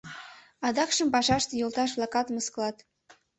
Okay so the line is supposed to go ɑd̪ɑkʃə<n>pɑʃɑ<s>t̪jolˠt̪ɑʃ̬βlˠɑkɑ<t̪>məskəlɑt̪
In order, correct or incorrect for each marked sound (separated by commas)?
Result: incorrect, incorrect, correct